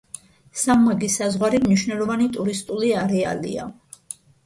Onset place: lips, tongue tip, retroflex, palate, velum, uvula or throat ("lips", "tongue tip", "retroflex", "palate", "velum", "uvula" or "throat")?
tongue tip